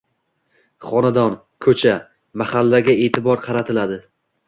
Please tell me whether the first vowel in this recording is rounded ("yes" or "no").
yes